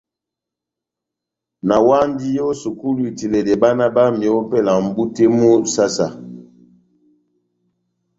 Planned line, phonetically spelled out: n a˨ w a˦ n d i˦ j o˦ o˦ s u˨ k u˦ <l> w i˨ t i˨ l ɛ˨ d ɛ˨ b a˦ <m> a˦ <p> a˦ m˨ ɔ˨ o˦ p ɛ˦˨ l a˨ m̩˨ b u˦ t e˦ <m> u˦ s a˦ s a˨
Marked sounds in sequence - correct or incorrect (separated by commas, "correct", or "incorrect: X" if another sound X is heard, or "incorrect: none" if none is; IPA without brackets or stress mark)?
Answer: correct, incorrect: n, incorrect: b, correct